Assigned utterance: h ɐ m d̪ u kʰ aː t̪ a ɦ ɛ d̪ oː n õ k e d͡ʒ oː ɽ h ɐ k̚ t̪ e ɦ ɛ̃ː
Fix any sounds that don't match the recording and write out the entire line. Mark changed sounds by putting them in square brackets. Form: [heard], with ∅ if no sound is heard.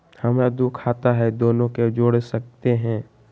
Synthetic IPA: h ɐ m d̪ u kʰ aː t̪ a ɦ ɛ d̪ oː n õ k e d͡ʒ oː ɽ [s] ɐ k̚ t̪ e ɦ ɛ̃ː